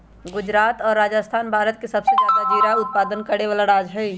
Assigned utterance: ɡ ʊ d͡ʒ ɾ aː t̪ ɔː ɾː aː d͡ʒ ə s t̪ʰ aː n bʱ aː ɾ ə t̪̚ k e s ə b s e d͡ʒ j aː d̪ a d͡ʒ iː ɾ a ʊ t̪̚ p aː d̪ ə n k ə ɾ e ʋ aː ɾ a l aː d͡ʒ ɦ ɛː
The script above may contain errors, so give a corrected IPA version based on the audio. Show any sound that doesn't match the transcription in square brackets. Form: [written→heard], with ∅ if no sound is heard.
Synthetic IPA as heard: ɡ ʊ d͡ʒ ɾ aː t̪ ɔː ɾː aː d͡ʒ ə s t̪ʰ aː n bʱ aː ɾ ə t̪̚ k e s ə b s e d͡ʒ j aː d̪ a d͡ʒ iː ɾ a ʊ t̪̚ p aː d̪ ə n k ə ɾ e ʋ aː [ɾ→l] a [l→ɾ] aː d͡ʒ ɦ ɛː